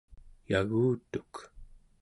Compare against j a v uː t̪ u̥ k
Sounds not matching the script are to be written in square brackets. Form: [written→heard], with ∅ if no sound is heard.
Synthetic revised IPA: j a [v→ɣ] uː t̪ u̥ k